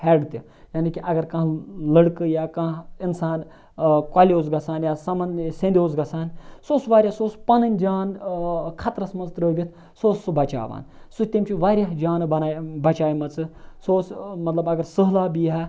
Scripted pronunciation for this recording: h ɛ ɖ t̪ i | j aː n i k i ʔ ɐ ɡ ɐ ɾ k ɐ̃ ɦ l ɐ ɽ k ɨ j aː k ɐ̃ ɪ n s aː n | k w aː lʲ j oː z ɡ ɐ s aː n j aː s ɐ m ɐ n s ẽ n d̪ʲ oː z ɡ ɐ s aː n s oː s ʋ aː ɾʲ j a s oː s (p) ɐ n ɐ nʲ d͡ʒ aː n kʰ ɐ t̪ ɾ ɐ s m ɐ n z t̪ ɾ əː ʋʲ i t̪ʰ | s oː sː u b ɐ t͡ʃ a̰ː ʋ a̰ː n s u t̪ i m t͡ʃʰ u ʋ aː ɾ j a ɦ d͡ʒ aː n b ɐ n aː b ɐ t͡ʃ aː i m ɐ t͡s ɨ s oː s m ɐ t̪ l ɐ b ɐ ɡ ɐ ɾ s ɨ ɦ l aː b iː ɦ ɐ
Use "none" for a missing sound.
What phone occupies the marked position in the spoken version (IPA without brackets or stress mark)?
p